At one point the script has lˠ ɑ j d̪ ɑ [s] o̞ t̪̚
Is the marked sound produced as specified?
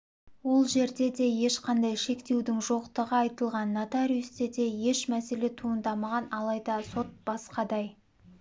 yes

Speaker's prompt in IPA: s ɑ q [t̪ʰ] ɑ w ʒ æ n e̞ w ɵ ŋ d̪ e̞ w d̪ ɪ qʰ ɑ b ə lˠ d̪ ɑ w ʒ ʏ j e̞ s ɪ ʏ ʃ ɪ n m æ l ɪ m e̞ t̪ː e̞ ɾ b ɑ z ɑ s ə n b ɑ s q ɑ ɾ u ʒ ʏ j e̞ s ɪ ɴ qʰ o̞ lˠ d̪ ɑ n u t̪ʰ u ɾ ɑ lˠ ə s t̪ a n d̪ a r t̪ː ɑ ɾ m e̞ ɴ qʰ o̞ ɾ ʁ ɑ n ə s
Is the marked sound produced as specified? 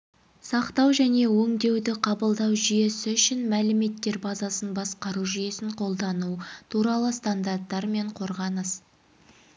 no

